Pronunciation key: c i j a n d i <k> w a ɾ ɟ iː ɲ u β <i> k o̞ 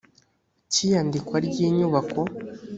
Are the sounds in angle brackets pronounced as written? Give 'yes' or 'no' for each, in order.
yes, no

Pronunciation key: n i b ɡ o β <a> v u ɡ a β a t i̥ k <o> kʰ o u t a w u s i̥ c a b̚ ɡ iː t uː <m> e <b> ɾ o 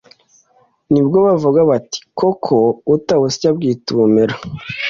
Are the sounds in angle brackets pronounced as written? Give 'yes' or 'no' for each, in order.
yes, yes, yes, no

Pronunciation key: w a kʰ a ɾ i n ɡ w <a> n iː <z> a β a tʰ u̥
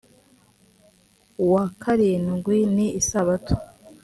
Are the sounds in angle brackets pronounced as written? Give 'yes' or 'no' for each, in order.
no, no

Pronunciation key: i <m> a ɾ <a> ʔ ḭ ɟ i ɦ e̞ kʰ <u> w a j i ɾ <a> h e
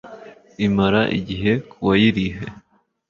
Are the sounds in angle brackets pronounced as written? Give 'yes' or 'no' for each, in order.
yes, yes, yes, no

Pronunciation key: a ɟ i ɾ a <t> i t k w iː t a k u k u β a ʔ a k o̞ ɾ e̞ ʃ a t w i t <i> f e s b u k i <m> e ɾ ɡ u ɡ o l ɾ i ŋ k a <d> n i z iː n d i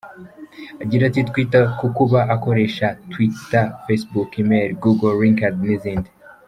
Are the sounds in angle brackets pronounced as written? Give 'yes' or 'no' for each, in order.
yes, no, yes, yes

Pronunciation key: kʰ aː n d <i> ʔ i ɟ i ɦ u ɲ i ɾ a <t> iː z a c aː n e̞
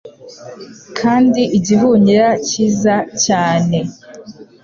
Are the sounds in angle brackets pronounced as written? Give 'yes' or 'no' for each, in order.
yes, no

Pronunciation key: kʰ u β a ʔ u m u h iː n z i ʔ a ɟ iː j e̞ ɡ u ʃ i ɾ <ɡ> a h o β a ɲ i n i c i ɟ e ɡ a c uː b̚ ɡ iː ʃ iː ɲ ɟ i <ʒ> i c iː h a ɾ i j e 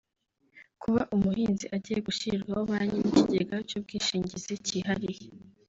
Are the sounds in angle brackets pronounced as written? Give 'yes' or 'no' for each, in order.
yes, no

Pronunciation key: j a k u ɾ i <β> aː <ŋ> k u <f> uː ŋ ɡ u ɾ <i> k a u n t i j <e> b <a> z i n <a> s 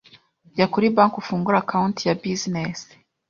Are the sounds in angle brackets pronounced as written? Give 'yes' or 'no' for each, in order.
no, yes, yes, no, no, no, no

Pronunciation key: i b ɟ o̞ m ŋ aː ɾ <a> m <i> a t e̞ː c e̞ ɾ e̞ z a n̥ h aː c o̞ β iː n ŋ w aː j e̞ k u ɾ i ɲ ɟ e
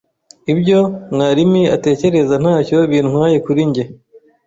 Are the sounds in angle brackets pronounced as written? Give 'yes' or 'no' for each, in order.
no, yes

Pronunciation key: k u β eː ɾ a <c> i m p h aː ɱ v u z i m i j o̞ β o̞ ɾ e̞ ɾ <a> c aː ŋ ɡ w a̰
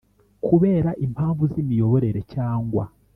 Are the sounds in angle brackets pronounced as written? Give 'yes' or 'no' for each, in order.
no, no

